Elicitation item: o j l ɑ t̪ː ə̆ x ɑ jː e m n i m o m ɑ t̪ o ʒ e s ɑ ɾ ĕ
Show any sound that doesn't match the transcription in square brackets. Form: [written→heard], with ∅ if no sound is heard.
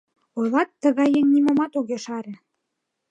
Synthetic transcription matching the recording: o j l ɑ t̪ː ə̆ [x→ɣ] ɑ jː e [m→ŋ] n i m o m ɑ t̪ o [ʒ→ɣ] e [s→ʃ] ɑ ɾ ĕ